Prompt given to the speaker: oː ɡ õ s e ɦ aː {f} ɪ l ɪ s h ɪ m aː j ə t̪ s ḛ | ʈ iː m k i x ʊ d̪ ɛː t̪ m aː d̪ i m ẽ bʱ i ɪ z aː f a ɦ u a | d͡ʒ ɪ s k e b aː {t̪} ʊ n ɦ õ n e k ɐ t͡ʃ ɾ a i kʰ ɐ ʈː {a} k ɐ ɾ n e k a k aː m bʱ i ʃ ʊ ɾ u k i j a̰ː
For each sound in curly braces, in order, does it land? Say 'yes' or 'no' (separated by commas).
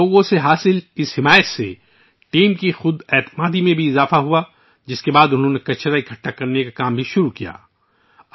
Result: no, no, yes